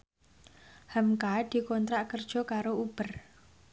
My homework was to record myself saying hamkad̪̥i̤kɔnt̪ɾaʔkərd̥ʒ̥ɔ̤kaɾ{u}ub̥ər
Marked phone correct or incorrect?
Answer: incorrect